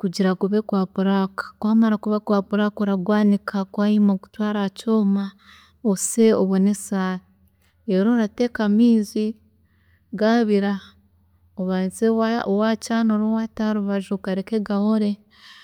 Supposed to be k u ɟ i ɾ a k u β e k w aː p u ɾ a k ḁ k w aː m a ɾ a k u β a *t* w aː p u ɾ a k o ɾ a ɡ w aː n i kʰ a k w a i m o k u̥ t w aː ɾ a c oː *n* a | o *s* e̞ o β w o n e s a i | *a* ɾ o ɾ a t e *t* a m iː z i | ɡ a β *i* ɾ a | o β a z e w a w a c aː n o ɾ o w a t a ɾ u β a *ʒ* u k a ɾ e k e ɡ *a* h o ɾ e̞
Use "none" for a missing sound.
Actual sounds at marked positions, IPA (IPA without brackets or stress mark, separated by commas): k, m, s, e, k, i, ʒ, a